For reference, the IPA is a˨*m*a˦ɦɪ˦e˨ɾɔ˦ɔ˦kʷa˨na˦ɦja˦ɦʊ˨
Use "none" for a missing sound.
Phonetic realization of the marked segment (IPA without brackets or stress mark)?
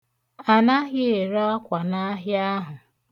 n